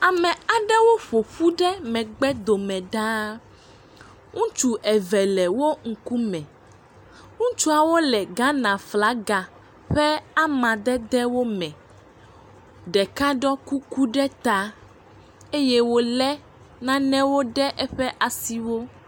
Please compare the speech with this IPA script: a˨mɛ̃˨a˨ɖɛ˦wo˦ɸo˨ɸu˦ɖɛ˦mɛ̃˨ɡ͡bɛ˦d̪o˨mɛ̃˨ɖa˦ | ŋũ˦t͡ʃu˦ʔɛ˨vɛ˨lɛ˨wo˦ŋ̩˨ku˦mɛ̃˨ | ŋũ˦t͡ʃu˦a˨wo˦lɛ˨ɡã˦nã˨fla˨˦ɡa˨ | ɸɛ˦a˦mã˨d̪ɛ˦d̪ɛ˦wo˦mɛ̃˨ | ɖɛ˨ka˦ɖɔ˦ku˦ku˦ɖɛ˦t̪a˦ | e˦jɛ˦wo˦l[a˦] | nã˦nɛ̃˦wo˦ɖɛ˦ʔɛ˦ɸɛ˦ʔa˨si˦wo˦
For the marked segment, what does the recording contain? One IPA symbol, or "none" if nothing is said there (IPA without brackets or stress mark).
ɛ˦